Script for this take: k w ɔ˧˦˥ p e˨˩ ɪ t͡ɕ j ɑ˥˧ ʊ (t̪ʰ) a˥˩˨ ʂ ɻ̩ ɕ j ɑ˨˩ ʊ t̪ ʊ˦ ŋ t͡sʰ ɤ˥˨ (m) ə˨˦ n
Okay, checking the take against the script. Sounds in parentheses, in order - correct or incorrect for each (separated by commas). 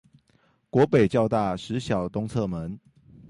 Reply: incorrect, correct